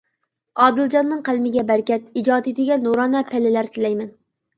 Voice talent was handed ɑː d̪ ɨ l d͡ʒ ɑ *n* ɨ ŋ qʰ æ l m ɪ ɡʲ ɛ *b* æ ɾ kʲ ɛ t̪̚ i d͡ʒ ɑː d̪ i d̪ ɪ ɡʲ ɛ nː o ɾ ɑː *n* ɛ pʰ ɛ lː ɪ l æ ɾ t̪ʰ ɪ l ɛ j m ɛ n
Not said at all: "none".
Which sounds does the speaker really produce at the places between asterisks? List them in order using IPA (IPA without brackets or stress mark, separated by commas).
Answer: nː, b, n